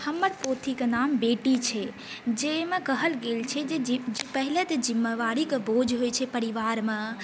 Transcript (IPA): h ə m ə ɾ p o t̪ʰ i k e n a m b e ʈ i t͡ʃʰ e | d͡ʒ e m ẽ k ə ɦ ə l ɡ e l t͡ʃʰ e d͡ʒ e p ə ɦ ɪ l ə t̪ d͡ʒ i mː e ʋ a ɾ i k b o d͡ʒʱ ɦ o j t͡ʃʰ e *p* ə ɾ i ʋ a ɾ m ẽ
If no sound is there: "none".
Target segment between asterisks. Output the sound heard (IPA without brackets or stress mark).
p